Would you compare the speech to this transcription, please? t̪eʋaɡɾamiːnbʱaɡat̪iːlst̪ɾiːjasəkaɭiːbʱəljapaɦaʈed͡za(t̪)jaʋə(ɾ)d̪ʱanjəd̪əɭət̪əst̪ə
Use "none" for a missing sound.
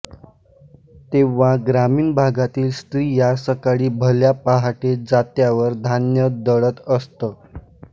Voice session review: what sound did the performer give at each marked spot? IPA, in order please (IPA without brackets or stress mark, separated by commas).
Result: t̪, ɾ